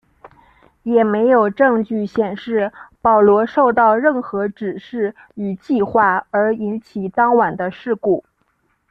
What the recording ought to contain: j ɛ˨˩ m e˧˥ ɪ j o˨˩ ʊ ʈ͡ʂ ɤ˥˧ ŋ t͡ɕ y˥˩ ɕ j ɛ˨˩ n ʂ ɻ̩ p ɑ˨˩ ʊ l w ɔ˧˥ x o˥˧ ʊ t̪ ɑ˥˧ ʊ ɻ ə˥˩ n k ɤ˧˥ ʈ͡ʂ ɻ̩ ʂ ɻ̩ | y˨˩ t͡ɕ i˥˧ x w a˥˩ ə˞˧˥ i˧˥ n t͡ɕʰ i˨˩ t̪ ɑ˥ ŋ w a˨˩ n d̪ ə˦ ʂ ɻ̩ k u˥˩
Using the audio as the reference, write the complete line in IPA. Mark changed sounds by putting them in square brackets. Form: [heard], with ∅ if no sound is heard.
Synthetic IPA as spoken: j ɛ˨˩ m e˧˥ ɪ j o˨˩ ʊ ʈ͡ʂ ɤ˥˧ ŋ t͡ɕ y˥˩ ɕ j ɛ˨˩ n ʂ ɻ̩ p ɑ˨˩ ʊ l w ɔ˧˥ [ʂ] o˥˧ ʊ t̪ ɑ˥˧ ʊ ɻ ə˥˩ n [x] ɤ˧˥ ʈ͡ʂ ɻ̩ ʂ ɻ̩ | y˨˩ t͡ɕ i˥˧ x w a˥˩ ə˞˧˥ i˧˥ n t͡ɕʰ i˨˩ t̪ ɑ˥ ŋ w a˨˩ n d̪ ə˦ ʂ ɻ̩ k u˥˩